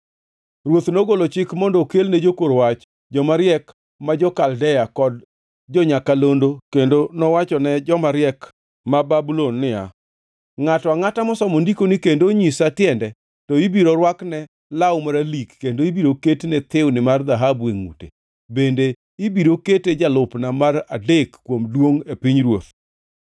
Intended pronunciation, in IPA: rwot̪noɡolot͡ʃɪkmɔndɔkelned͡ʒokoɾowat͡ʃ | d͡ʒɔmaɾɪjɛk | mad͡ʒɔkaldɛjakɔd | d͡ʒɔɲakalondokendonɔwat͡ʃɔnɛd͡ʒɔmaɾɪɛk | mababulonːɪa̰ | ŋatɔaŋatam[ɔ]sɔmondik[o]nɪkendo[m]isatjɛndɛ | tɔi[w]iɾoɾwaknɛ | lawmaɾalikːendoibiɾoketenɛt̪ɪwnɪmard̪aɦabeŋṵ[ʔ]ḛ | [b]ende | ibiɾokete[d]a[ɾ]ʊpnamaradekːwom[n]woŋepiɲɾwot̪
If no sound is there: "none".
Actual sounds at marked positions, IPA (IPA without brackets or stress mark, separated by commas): ɔ, o, ɲ, b, t, b, d͡ʒ, l, d